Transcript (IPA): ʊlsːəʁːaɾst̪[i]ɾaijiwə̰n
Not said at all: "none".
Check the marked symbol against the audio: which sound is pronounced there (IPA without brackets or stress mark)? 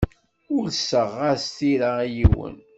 i